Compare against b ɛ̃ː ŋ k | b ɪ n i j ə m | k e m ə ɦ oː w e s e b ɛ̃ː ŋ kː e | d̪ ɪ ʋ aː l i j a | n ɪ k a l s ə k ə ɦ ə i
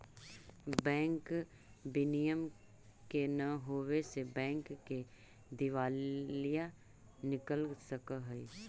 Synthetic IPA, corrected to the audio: b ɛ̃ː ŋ k | b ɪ n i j ə m | k e n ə ɦ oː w e s e b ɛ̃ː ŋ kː e | d̪ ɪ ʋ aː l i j a | n ɪ k ə l s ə k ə ɦ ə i